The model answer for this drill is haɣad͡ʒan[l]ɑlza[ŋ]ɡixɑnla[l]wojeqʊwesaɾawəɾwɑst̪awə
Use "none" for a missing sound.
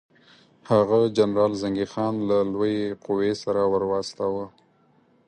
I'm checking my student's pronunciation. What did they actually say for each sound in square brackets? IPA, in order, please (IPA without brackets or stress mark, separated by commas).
ɾ, ŋ, l